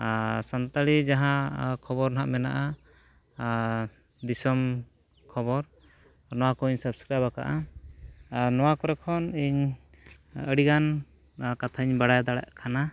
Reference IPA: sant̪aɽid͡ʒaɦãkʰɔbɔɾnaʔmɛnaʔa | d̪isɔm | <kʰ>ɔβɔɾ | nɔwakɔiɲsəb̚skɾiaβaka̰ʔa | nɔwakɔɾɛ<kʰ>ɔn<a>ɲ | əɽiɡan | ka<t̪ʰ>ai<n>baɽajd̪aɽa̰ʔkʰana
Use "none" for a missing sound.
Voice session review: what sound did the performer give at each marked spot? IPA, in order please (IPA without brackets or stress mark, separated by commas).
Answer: kʰ, kʰ, i, t̪ʰ, ɲ